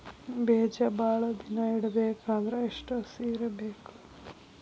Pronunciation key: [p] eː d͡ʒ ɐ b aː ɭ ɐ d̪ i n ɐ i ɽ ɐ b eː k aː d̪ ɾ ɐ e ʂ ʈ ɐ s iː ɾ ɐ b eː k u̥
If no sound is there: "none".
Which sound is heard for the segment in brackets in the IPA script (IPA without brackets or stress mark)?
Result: b